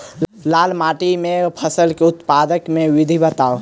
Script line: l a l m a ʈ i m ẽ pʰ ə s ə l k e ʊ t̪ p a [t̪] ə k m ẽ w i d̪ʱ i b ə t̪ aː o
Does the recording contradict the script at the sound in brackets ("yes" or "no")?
yes